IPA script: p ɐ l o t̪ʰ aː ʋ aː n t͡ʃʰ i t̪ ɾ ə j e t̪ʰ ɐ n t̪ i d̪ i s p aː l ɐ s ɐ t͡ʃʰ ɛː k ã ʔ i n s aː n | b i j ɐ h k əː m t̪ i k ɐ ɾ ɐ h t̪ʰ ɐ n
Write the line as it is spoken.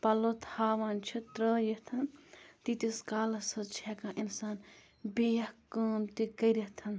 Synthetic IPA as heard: p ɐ l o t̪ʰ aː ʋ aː n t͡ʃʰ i t̪ ɾ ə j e t̪ʰ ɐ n t̪ i t̪ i s k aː l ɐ s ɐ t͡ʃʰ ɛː k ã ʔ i n s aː n | b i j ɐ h k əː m t̪ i k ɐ ɾ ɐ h t̪ʰ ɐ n